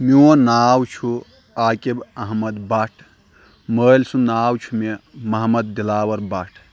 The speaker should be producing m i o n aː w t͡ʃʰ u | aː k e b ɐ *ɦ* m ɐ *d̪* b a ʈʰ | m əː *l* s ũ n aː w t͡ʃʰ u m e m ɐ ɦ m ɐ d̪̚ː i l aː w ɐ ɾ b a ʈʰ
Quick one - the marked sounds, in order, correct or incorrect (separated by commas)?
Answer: correct, correct, correct